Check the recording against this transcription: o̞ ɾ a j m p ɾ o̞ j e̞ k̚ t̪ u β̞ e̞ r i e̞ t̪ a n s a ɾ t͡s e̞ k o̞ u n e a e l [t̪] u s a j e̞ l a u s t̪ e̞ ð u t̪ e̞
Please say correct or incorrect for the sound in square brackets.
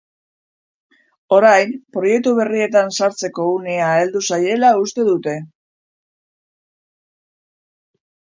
incorrect: d̪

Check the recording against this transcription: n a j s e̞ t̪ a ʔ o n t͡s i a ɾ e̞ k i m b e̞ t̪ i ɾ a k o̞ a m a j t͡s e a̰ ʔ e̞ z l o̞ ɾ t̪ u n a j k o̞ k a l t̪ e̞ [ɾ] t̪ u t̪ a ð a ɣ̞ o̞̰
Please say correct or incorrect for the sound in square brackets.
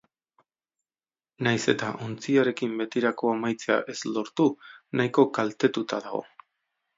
incorrect: none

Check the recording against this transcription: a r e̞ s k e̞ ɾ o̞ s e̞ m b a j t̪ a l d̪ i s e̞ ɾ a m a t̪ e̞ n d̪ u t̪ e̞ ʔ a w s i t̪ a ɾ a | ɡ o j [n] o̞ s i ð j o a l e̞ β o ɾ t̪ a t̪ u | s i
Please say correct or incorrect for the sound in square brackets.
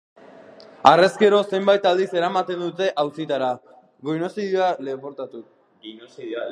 correct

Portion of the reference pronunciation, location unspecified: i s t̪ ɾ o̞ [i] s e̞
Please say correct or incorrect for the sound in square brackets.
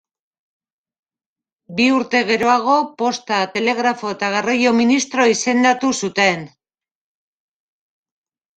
correct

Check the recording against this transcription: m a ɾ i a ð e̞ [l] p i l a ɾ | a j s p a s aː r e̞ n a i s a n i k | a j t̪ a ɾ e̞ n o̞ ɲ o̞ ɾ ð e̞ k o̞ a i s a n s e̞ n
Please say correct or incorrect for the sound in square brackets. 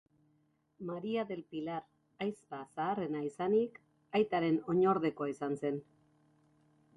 correct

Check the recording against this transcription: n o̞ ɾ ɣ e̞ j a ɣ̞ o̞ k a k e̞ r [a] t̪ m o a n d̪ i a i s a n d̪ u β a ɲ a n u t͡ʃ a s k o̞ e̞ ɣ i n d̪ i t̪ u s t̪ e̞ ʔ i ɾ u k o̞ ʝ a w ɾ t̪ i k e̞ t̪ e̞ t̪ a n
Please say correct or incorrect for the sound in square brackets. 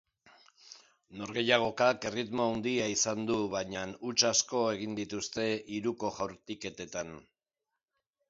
incorrect: i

